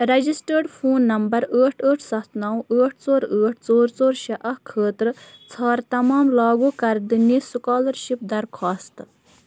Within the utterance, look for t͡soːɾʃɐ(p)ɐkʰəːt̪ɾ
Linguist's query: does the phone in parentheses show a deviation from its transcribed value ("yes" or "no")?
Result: yes